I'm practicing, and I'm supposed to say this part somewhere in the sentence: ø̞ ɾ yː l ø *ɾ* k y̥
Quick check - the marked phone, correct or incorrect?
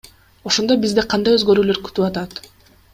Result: correct